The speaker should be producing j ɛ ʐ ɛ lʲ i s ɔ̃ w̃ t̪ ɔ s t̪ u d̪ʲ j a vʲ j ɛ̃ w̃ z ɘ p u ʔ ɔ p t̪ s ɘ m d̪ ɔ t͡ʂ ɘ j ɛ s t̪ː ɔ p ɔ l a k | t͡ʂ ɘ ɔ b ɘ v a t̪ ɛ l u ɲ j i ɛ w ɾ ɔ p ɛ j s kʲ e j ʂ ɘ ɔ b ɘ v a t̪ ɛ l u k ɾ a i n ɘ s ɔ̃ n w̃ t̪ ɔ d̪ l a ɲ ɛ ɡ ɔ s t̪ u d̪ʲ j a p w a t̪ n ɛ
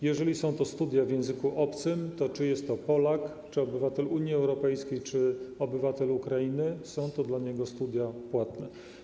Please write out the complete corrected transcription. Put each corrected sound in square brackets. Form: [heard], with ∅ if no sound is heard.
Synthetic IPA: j ɛ ʐ ɛ lʲ i s ɔ̃ w̃ t̪ ɔ s t̪ u d̪ʲ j a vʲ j ɛ̃ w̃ z ɘ [k] u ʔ ɔ p t̪ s ɘ m [t̪] ɔ t͡ʂ ɘ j ɛ s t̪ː ɔ p ɔ l a k | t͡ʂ ɘ ɔ b ɘ v a t̪ ɛ l u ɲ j i ɛ w ɾ ɔ p ɛ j s kʲ e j [t͡ʂ] ɘ ɔ b ɘ v a t̪ ɛ l u k ɾ a i n ɘ s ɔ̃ [∅] w̃ t̪ ɔ d̪ l a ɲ ɛ ɡ ɔ s t̪ u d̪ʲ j a p w a t̪ n ɛ